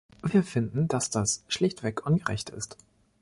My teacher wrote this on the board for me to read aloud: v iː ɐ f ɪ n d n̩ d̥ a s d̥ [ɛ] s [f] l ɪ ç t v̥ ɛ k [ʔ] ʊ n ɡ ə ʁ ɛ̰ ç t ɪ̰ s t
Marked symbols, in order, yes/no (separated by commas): no, no, yes